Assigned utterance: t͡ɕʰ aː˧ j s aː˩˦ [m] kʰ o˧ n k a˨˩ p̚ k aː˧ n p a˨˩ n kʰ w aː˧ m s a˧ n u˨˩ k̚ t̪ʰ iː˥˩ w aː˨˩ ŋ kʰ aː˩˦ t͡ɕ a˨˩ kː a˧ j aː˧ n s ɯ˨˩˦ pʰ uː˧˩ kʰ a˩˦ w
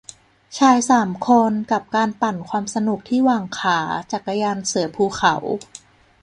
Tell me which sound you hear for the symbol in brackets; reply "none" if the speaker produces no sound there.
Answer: m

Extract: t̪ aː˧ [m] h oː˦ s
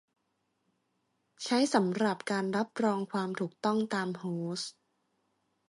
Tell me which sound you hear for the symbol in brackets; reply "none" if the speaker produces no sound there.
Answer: m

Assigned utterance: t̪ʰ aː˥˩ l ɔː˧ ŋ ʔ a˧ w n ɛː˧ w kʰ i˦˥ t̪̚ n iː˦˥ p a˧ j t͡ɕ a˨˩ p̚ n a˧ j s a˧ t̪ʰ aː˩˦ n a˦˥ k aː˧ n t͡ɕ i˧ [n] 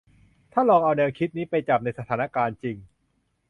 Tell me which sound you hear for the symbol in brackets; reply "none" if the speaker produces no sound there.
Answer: ŋ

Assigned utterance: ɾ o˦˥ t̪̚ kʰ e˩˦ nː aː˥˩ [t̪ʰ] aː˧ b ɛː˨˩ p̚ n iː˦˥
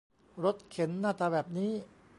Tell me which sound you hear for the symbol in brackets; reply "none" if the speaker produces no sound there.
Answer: t̪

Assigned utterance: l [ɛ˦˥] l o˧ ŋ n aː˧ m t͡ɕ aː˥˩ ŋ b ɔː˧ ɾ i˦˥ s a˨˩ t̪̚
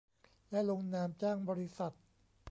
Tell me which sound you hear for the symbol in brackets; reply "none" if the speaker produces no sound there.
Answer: ɛ˦˥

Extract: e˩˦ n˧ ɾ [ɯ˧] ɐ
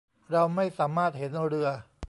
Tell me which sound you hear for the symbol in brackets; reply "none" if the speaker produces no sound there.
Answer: ɯ˧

